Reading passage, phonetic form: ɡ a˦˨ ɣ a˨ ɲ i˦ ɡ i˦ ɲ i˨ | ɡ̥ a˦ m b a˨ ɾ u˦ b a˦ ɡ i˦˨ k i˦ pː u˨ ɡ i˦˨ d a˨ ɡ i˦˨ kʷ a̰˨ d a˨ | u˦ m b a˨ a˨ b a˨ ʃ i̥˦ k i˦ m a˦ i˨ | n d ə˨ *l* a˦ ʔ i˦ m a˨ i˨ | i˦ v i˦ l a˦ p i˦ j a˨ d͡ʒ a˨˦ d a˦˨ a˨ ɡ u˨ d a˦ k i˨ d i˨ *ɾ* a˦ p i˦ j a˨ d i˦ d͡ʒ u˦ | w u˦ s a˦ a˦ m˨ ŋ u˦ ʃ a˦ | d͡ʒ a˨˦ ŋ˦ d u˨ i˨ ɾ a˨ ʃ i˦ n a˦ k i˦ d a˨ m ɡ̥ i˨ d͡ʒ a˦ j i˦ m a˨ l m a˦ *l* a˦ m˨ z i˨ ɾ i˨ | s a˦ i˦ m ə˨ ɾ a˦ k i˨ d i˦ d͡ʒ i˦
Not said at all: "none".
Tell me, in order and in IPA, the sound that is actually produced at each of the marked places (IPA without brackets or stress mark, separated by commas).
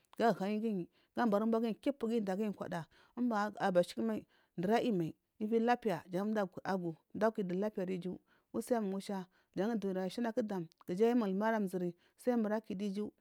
ɾ, l, ɾ